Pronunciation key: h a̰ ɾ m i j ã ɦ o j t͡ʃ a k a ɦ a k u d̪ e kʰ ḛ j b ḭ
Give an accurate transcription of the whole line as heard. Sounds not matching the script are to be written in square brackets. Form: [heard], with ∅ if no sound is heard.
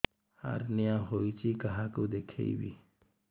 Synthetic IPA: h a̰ ɾ [n] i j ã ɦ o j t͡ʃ [i] k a ɦ a k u d̪ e kʰ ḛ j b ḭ